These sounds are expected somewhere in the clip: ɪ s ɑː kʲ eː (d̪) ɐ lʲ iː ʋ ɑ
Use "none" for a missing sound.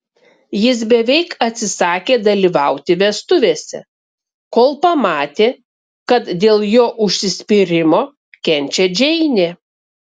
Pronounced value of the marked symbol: d̪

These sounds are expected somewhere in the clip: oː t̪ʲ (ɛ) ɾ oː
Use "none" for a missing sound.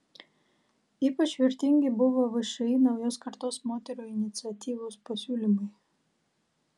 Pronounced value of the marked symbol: ɛ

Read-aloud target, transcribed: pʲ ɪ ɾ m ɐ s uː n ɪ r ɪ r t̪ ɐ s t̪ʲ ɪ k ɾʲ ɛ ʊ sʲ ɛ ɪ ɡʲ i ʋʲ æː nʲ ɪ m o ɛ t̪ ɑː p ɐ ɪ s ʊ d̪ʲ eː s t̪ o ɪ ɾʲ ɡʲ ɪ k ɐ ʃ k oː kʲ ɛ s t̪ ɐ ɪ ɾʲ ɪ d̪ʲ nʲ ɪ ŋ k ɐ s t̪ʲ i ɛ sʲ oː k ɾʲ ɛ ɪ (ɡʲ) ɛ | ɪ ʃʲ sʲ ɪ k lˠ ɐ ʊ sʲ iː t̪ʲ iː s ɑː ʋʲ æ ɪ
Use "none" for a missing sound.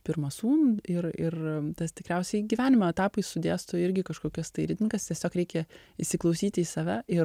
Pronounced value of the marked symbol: kʲ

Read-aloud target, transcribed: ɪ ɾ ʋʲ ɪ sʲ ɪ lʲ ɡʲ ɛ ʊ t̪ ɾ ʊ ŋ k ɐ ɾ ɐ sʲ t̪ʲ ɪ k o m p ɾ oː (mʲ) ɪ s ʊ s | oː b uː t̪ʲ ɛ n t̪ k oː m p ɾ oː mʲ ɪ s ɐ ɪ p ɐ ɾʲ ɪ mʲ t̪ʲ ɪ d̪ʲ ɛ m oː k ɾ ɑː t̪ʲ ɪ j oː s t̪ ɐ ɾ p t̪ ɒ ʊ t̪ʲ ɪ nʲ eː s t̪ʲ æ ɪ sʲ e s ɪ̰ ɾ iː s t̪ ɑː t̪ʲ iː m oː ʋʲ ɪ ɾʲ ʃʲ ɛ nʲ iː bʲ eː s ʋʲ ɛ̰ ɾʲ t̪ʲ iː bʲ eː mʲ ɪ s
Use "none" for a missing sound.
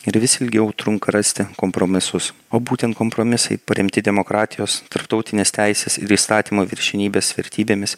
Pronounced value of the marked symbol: mʲ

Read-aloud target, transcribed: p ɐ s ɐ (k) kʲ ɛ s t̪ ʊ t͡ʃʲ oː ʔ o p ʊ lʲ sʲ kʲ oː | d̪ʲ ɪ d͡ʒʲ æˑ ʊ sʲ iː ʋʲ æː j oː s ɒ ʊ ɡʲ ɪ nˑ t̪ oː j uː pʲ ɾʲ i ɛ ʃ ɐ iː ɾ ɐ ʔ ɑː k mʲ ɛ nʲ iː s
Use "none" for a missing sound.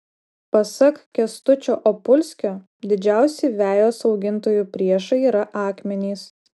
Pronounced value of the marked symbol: k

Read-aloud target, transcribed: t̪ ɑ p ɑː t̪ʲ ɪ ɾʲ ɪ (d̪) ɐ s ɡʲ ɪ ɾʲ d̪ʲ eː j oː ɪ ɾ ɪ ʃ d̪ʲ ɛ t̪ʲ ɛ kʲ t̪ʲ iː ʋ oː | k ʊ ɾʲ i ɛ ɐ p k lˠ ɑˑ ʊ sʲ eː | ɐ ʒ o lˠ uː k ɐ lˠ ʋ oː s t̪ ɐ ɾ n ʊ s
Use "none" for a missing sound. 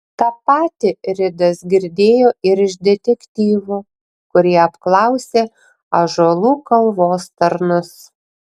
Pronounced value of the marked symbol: d̪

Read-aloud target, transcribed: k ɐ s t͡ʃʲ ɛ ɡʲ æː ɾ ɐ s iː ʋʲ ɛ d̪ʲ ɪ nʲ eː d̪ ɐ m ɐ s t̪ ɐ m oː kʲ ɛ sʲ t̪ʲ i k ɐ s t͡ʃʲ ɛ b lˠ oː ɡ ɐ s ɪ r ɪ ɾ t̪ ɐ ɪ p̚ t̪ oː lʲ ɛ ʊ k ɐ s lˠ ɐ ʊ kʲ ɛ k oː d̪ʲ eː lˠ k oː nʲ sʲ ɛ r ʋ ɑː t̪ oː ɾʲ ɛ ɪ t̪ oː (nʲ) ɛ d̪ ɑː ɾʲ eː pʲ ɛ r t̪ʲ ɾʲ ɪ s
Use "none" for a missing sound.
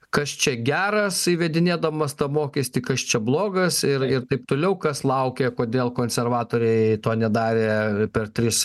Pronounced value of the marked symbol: nʲ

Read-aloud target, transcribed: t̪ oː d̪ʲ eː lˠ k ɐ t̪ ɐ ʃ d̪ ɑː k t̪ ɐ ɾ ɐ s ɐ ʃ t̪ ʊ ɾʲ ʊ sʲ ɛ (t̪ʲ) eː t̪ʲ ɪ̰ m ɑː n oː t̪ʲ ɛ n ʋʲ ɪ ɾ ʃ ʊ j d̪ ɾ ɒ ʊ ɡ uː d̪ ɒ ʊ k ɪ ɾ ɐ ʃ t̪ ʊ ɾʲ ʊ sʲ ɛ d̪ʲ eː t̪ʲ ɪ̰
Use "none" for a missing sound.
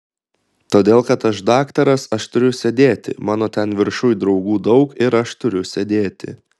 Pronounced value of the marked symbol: d̪ʲ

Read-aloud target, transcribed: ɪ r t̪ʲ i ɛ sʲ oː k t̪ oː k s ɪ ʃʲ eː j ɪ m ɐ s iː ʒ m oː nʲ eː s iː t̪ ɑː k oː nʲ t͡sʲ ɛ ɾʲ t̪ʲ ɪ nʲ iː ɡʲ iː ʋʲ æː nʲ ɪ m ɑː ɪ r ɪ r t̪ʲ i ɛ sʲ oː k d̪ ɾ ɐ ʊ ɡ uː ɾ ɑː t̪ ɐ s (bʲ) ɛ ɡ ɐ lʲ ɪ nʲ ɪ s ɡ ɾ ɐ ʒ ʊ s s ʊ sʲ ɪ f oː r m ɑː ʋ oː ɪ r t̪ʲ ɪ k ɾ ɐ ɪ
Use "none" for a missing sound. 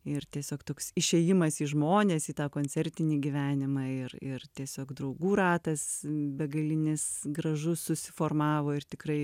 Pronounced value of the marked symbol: bʲ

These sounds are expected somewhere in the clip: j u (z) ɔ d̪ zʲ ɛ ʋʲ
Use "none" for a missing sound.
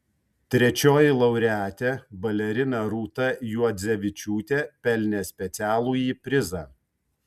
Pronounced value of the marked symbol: none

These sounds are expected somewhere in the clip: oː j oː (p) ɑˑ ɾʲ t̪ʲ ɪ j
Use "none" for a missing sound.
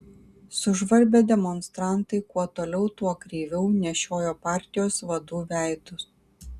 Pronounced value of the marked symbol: p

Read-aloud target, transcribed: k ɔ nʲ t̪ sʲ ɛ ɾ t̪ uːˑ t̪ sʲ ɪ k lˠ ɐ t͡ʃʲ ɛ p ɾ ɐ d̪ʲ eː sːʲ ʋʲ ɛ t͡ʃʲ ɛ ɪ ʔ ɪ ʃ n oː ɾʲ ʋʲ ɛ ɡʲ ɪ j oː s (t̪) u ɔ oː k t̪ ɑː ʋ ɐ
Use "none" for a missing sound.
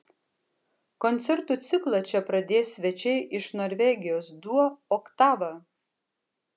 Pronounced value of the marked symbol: d̪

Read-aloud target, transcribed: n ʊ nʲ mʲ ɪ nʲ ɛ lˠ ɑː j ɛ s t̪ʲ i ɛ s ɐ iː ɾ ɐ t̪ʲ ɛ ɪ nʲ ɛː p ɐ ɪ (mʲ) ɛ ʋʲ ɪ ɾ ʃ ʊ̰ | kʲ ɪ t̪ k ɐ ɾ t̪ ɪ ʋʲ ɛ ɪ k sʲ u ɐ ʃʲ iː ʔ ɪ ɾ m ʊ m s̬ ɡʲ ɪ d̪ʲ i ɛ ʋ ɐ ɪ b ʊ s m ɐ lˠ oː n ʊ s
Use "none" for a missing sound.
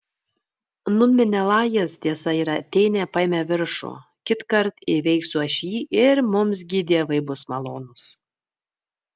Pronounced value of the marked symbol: mʲ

